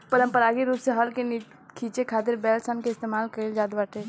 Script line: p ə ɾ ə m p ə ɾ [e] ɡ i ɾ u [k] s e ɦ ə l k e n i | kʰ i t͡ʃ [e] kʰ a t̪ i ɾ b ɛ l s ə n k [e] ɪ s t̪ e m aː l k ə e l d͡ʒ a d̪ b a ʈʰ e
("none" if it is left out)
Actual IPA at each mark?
a, p, e, e

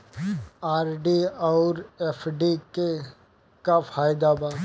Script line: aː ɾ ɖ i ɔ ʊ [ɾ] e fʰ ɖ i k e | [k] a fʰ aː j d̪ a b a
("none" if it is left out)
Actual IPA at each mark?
ɾ, k

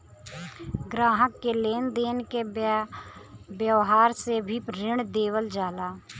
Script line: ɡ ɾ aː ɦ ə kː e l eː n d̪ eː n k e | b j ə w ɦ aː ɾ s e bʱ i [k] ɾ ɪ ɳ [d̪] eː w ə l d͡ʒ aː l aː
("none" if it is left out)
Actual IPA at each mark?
p, d̪

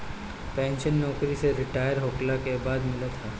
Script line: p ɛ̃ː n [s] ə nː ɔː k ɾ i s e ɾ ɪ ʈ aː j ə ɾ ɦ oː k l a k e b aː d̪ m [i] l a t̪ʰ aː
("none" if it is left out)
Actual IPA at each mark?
ʃ, ɪ

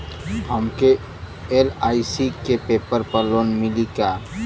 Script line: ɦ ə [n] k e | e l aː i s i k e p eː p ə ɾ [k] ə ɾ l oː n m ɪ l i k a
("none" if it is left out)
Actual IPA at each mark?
m, p

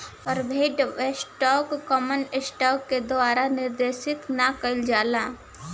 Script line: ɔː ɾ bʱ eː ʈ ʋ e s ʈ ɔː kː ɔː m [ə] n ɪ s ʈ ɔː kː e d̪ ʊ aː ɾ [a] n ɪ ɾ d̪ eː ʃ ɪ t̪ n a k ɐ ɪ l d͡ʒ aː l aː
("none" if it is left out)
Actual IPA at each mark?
ə, a

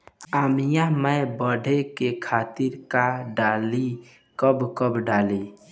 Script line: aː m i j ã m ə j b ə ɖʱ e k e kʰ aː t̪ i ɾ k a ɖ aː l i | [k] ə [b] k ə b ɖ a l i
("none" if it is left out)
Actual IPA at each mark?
k, b

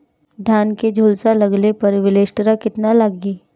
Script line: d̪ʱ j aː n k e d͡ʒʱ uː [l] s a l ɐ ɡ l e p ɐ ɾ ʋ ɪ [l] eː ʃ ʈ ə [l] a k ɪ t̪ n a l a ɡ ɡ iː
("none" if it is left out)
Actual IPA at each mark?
l, l, ɾ

